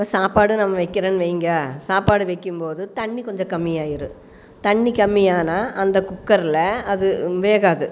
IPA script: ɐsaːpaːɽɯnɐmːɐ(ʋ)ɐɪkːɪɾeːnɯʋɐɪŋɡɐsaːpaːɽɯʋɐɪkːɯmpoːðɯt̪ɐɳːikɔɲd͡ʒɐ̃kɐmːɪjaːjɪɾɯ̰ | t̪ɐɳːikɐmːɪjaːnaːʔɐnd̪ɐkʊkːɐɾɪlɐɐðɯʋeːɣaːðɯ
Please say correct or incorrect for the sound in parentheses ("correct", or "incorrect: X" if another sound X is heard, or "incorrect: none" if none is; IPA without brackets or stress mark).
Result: correct